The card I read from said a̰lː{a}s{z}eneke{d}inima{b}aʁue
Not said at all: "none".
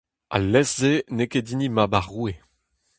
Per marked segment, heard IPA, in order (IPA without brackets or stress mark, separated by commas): ɛ, z, d, b